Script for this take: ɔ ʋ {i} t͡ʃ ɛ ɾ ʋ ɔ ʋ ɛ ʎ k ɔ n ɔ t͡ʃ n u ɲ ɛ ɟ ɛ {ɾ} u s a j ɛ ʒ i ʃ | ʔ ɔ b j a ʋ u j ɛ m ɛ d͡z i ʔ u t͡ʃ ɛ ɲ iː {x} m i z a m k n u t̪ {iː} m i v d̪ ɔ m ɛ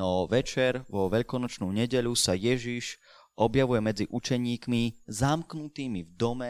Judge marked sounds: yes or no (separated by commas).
no, no, no, yes